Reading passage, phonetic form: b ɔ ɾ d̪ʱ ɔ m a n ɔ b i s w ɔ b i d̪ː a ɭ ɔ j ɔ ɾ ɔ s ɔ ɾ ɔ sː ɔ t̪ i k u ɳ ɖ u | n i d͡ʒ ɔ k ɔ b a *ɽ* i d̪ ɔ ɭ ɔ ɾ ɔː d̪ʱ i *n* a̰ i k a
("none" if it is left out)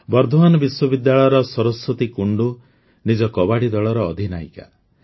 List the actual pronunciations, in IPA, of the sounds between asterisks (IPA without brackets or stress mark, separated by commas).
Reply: ɽ, n